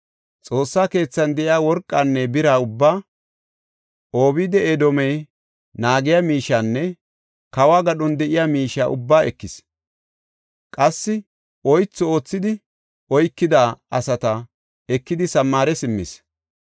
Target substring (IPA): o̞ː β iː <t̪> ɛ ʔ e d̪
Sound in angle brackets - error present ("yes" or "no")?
yes